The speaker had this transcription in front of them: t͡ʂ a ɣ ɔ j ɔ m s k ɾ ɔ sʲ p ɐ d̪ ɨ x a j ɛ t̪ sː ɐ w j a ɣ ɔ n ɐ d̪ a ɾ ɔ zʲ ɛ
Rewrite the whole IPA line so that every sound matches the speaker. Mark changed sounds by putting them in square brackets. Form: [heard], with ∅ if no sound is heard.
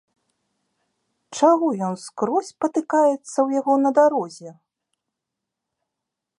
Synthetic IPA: t͡ʂ a ɣ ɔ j ɔ [n] s k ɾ ɔ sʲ p ɐ [t̪] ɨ [k] a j ɛ t̪ sː ɐ w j a ɣ ɔ n ɐ d̪ a ɾ ɔ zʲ ɛ